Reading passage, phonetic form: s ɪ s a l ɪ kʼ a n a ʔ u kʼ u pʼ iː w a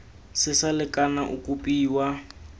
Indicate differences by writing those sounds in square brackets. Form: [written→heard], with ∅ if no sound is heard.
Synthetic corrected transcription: s ɪ s a l ɪ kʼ a n a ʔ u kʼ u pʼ iː w a